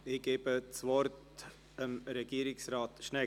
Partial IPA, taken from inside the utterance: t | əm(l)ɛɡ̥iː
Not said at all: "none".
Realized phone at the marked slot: ɾ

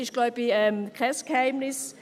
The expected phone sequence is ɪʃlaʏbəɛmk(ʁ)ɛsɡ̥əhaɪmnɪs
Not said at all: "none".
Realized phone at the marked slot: ʁ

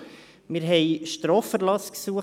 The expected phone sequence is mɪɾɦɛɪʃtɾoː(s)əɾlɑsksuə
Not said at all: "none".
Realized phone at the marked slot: f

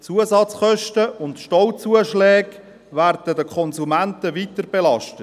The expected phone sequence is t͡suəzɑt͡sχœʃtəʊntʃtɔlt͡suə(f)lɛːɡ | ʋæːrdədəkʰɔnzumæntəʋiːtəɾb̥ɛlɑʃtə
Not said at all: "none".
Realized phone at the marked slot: ʃ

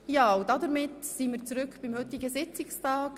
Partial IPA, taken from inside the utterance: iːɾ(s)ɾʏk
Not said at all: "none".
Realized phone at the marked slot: t͡s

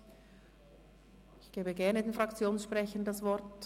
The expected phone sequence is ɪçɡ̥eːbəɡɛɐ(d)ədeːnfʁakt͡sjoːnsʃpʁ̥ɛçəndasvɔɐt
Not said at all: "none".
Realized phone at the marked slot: n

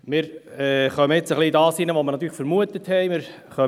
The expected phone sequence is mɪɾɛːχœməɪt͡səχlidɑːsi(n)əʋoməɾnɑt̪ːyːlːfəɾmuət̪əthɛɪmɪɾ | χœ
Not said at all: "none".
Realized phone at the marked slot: n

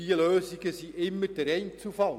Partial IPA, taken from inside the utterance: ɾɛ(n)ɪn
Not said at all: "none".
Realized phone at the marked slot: none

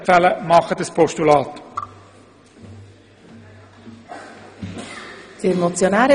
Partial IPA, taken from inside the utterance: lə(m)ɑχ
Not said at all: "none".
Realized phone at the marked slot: m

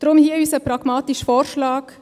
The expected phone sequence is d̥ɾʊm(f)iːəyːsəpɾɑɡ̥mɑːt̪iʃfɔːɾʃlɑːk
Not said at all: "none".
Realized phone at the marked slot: h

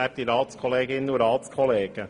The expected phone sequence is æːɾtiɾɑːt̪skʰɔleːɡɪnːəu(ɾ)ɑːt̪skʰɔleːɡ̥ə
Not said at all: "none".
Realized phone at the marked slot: ɾ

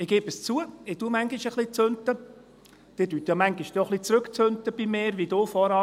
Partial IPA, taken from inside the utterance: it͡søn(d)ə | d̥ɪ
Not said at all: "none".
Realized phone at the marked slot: t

